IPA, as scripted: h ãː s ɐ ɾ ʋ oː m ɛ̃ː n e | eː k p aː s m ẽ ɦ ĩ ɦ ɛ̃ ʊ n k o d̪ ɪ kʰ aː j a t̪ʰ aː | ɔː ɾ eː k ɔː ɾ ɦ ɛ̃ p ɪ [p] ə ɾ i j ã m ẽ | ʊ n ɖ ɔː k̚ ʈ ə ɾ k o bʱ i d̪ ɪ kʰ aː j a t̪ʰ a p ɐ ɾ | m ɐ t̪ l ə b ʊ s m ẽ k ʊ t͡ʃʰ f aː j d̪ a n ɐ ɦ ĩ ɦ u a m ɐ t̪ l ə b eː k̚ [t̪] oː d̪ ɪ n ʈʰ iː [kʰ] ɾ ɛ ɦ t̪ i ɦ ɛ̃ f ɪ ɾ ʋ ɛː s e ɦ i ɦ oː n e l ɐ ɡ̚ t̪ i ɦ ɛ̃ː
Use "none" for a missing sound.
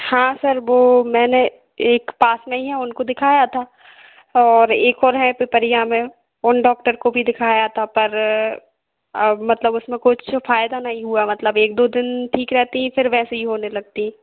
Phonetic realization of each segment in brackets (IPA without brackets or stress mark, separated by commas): p, d̪, k